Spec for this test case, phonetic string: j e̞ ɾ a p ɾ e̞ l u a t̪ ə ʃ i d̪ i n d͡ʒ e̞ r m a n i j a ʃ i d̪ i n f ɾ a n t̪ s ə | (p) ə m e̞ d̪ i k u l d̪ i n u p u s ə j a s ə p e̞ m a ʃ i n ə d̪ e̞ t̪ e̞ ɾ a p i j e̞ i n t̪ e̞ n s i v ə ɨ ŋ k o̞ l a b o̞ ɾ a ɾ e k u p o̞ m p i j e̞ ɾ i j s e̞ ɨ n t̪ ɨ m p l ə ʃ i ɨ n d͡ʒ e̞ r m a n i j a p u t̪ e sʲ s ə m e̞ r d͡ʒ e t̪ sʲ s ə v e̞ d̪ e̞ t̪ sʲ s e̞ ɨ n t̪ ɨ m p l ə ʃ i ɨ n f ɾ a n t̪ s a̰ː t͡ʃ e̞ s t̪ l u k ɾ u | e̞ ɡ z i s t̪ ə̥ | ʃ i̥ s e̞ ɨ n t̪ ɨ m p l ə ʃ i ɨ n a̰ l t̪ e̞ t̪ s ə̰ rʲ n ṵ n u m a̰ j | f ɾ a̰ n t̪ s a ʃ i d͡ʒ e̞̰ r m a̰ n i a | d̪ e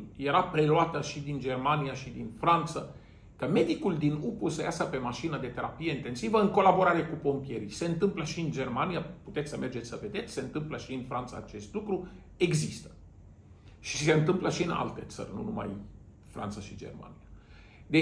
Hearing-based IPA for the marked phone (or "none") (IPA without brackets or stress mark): k